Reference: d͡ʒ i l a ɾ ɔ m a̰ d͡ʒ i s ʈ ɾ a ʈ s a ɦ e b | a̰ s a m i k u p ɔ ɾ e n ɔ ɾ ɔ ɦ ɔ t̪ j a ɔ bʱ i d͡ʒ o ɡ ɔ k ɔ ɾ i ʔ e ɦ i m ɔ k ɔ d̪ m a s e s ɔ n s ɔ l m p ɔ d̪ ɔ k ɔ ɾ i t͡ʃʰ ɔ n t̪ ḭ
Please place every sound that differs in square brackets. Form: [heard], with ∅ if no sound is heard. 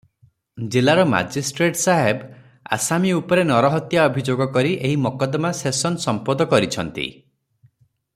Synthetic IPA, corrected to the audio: d͡ʒ i l a ɾ ɔ m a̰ d͡ʒ i s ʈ ɾ [e] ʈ s a ɦ e b | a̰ s a m i [∅] u p ɔ ɾ e n ɔ ɾ ɔ ɦ ɔ t̪ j a ɔ bʱ i d͡ʒ o ɡ ɔ k ɔ ɾ i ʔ e ɦ i m ɔ k ɔ d̪ m a s e s ɔ n s ɔ [∅] m p ɔ d̪ ɔ k ɔ ɾ i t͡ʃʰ ɔ n t̪ ḭ